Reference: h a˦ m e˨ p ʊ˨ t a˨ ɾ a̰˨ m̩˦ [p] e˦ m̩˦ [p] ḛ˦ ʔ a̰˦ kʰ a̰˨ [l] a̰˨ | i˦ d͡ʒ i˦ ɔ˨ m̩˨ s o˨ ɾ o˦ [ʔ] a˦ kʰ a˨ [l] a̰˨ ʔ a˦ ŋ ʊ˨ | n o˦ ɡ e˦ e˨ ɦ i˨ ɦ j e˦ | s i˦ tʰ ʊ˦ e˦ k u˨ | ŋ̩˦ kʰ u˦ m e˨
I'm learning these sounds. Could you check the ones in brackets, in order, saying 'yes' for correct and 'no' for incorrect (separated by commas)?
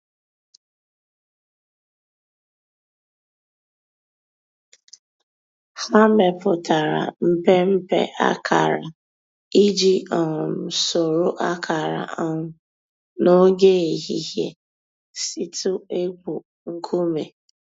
yes, yes, no, yes, no